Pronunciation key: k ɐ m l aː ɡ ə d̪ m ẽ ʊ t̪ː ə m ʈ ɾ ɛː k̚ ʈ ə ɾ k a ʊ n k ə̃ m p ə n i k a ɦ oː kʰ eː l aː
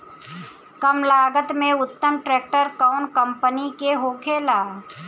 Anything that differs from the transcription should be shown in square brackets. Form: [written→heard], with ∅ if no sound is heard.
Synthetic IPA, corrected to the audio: k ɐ m l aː ɡ ə [d̪→t̪] m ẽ ʊ t̪ː ə m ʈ ɾ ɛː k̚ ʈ ə ɾ k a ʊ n k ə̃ m p ə n i k [a→e] ɦ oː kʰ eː l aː